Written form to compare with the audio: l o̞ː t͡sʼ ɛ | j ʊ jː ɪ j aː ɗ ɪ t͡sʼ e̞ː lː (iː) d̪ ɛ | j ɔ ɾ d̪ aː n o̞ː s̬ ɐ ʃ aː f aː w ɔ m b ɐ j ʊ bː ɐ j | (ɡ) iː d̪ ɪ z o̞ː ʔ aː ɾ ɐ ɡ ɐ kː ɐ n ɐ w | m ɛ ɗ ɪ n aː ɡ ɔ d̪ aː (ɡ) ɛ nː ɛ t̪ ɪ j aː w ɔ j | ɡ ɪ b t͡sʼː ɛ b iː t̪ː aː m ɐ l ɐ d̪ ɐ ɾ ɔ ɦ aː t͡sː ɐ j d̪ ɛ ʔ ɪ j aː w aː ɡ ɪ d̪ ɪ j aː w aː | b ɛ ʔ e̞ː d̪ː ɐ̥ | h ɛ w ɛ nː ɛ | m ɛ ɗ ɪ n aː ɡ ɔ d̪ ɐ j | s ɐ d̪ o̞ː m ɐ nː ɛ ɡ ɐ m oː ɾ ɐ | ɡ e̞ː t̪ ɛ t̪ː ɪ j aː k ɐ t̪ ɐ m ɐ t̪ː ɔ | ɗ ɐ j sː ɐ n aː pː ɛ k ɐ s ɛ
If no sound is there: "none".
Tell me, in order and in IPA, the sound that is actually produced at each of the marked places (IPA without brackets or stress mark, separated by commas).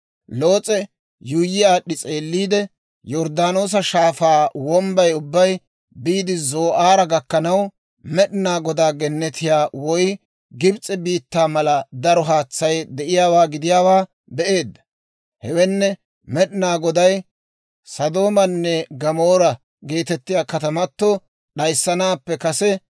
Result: iː, b, ɡ